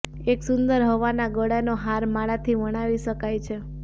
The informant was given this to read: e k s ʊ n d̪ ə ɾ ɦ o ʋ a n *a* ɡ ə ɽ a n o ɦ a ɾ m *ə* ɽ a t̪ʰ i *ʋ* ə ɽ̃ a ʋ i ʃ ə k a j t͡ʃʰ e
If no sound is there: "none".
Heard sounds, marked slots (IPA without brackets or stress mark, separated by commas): a, a, ʋ